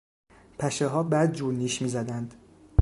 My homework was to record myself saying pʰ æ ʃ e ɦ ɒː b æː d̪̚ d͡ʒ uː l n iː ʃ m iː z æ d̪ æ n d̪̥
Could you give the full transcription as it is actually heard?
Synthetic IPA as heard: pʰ æ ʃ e ɦ ɒː b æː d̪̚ d͡ʒ uː ɾ n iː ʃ m iː z æ d̪ æ n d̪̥